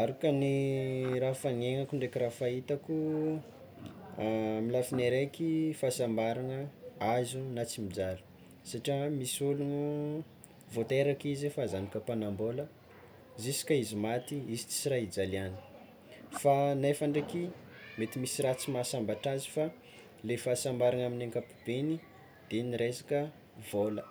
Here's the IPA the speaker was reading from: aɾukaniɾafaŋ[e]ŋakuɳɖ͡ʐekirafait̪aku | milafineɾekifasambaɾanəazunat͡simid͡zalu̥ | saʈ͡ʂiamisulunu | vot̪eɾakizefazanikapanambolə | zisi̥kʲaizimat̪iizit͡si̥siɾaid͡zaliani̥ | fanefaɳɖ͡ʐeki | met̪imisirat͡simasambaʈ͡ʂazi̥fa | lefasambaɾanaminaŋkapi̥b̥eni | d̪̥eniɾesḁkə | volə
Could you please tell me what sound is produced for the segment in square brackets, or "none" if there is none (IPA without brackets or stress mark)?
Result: e